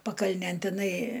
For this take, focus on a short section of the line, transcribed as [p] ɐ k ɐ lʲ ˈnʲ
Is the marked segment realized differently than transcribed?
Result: no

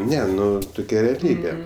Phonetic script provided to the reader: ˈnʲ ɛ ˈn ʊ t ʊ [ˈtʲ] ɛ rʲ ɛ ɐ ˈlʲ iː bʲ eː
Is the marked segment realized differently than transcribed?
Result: yes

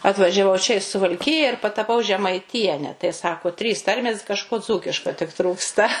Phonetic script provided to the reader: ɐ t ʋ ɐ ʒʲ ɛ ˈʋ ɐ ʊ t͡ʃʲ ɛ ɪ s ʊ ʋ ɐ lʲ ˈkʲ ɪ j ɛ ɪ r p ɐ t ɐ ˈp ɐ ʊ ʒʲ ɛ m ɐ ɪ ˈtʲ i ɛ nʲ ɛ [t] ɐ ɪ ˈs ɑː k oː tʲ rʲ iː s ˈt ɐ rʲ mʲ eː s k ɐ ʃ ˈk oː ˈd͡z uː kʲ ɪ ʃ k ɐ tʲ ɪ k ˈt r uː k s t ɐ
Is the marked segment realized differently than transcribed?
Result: no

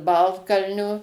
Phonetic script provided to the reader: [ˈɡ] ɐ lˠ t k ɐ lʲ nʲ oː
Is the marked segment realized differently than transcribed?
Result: yes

